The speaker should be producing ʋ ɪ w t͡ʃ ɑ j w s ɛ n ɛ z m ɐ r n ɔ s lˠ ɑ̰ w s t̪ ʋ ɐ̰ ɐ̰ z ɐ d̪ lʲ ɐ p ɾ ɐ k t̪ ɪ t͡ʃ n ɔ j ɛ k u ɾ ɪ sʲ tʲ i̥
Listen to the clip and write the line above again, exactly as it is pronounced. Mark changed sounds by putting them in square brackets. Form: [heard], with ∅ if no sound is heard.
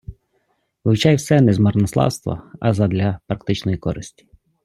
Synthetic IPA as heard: ʋ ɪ w t͡ʃ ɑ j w s ɛ n ɛ z m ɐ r n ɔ s lˠ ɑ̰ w s t̪ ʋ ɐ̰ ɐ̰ z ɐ d̪ lʲ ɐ p ɾ ɐ k t̪ ɪ t͡ʃ n ɔ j [i] k [ɔ] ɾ ɪ sʲ tʲ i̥